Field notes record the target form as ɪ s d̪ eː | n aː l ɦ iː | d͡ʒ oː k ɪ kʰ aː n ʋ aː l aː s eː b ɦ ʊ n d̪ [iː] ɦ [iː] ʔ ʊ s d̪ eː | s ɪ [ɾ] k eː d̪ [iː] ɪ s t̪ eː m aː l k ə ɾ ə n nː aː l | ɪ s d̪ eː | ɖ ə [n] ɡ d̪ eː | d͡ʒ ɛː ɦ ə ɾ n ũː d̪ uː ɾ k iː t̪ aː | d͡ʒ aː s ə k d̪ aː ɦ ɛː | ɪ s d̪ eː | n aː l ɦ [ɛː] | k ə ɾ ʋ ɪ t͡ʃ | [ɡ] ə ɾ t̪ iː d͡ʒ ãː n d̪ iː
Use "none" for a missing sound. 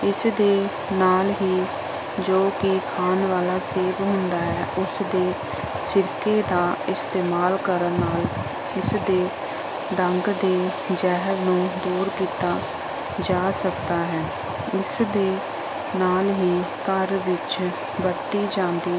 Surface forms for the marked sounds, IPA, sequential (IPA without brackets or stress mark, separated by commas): aː, ɛː, ɾ, aː, ŋ, iː, b